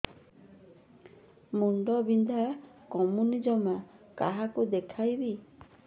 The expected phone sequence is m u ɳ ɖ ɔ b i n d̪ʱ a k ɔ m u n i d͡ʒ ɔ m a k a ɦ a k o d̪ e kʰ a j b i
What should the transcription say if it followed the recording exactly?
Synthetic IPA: m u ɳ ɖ ɔ b i n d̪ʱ a k ɔ m u n i d͡ʒ ɔ m a k a ɦ a k u d̪ e kʰ a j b i